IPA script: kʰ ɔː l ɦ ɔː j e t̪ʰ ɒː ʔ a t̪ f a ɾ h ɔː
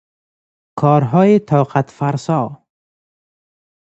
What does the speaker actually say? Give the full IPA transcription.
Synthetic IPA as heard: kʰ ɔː ɾ ɦ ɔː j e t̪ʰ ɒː q a t̪ f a ɾ s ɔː